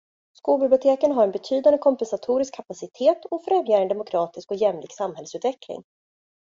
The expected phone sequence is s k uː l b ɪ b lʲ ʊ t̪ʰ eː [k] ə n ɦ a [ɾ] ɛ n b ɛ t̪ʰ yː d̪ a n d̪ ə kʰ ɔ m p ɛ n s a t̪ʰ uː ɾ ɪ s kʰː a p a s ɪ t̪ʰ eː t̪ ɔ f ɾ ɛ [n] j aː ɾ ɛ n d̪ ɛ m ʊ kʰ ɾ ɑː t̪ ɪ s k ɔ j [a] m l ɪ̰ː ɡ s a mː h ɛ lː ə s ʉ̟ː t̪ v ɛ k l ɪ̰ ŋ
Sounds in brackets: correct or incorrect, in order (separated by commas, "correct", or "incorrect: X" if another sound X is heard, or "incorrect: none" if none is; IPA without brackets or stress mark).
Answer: correct, correct, incorrect: m, incorrect: ɛ